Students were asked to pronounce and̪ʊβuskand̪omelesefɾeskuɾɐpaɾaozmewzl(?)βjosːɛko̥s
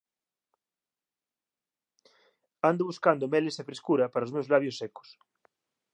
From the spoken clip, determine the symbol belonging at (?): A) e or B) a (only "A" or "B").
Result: B